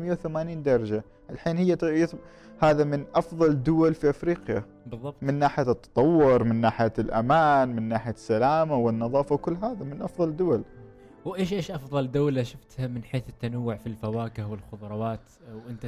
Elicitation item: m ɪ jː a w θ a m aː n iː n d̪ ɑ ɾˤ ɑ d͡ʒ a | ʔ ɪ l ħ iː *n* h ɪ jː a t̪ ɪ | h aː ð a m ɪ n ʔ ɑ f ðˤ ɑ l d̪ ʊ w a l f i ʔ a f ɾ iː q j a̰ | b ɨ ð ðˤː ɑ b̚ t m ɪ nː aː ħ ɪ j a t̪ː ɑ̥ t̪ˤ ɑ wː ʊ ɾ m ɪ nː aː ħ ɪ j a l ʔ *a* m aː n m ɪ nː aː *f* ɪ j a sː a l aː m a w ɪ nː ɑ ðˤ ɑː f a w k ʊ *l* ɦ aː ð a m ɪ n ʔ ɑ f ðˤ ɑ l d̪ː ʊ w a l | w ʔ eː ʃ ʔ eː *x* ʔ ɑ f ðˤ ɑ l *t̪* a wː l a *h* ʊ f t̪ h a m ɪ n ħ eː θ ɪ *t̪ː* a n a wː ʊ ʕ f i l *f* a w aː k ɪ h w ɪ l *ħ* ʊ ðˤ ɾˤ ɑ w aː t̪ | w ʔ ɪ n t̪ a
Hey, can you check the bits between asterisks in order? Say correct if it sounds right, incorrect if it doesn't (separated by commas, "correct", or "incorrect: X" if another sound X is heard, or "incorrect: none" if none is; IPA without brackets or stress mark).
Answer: correct, correct, incorrect: ħ, incorrect: lː, incorrect: ʃ, incorrect: d̪, incorrect: ʃ, correct, correct, incorrect: x